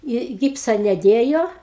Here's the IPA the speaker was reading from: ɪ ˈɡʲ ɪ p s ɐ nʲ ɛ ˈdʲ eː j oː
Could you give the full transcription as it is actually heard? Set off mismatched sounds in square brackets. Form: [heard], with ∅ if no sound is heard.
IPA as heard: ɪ ˈɡʲ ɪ p s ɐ nʲ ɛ ˈdʲ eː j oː